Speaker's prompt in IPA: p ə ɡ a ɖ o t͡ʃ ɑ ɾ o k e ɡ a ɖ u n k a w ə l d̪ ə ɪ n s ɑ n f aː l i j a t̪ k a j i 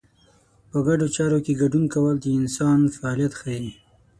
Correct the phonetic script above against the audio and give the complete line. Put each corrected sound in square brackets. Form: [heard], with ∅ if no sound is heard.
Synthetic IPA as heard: p ə ɡ a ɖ o t͡ʃ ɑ ɾ o k e ɡ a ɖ u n k a w ə l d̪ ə ɪ n s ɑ n f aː l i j a t̪ [x] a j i

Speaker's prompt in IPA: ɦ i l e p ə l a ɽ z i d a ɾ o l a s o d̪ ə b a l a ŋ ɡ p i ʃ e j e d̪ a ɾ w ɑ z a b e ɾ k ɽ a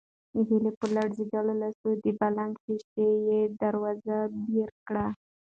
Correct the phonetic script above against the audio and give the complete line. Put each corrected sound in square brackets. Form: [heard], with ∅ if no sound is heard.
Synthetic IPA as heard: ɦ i l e p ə l a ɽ z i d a [l] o l a s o d̪ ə b a l a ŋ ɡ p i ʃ e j e d̪ a ɾ w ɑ z a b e ɾ k ɽ a

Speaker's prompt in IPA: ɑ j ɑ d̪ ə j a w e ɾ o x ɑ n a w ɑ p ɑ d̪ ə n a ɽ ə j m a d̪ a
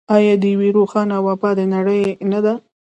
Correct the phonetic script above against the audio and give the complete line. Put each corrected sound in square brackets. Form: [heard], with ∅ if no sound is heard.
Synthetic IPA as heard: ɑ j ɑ d̪ ə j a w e ɾ o x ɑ n a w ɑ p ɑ d̪ ə n a ɽ ə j [n] a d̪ a

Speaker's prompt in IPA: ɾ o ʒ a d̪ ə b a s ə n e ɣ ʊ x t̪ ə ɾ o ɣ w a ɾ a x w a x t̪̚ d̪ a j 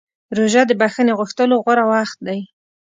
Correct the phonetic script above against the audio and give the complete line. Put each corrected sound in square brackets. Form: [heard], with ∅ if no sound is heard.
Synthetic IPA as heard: ɾ o ʒ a d̪ ə b a [x] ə n e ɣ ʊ x t̪ ə [l] o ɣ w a ɾ a [∅] w a x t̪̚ d̪ a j

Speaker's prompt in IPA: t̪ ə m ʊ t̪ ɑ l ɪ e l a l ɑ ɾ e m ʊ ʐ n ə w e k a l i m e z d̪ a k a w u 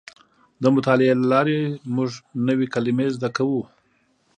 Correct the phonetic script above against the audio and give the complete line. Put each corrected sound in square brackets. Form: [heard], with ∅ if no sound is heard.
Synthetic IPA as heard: [d̪] ə m ʊ t̪ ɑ l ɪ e l a l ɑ ɾ e m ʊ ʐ n ə w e k a l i m e z d̪ a k a w u

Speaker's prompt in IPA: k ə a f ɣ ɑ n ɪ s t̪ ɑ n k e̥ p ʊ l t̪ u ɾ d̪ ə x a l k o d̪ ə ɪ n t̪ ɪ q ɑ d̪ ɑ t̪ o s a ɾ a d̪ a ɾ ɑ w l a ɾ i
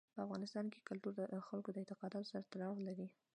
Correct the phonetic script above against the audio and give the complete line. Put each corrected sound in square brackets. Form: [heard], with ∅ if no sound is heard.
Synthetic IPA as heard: [p] ə a f ɣ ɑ n ɪ s t̪ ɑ n k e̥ [k] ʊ l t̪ u ɾ d̪ ə x a l k o d̪ ə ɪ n t̪ ɪ q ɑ d̪ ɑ t̪ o s a ɾ a [t̪] a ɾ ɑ w l a ɾ i

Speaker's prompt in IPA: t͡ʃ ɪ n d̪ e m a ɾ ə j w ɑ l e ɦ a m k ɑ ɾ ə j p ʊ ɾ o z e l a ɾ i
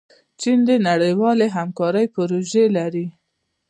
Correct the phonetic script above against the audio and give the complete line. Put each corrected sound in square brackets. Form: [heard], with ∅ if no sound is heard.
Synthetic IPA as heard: t͡ʃ [i] n d̪ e [n] a [ɽ] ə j w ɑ l e ɦ a m k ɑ ɾ ə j p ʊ ɾ o [ʒ] e l a ɾ i

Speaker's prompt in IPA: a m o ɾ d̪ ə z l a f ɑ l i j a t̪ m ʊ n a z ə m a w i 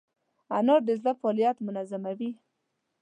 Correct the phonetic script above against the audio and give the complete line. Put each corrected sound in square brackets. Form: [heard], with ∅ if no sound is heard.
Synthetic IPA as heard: a [n] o ɾ d̪ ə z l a f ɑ l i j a t̪ m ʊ n a z [a] m a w i

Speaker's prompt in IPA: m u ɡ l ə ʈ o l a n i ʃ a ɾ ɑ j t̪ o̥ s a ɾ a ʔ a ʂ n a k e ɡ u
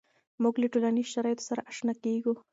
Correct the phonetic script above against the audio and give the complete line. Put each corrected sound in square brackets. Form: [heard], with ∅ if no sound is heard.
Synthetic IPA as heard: m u ɡ l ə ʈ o l a n i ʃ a ɾ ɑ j t̪ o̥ s a ɾ a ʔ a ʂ n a k e ɡ u

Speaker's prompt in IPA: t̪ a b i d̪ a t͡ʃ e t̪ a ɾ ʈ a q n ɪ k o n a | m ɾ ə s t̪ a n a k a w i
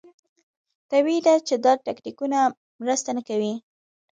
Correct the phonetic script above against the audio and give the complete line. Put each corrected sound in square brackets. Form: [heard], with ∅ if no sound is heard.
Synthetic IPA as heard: t̪ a [w] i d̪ a t͡ʃ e [d̪] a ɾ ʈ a [k] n [i] k [u] n a | m ɾ ə s t̪ a n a k a w i

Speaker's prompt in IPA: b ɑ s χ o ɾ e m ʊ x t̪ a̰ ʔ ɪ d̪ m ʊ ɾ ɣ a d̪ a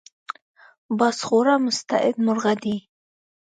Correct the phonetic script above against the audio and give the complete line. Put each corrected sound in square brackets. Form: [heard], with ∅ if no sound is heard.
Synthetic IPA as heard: b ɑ s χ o ɾ [a] m ʊ [s] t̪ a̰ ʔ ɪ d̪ m ʊ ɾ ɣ a d̪ [i]

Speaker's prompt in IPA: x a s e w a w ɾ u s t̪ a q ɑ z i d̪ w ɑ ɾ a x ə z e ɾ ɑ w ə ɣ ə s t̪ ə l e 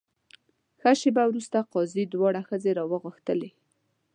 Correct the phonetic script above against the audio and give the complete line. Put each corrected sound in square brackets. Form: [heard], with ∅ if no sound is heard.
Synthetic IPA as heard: x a [ʃ] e [b] a w ɾ u s t̪ a q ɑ z i d̪ w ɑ [ɽ] a x ə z e ɾ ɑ w ə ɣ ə [x] t̪ ə l e

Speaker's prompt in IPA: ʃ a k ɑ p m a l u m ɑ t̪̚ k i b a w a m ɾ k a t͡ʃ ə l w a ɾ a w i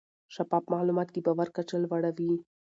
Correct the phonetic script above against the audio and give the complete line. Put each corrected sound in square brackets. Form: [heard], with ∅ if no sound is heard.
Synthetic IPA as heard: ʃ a [p] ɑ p m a l u m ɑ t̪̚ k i b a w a [∅] ɾ k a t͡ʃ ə l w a [ɽ] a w i

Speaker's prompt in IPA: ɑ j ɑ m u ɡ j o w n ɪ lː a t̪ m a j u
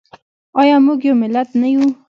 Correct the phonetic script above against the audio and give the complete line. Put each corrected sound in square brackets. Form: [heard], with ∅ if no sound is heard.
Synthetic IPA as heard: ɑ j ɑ m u ɡ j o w [m] ɪ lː a t̪ [n] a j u

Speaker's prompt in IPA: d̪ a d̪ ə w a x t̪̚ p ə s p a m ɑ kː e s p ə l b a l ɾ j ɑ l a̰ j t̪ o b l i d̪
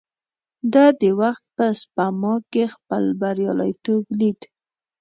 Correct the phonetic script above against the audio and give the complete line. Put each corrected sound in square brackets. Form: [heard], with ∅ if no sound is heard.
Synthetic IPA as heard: d̪ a d̪ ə w a x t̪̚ p ə s p a m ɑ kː e [x] p ə l b a [∅] ɾ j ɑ l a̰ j t̪ o b l i d̪

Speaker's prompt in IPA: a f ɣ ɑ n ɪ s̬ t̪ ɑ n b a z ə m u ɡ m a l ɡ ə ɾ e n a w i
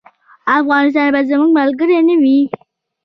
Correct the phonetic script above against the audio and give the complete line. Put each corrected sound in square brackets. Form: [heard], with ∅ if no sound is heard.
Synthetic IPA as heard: a f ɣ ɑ n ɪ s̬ t̪ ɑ n b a z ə m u ɡ m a l ɡ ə ɾ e n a w i

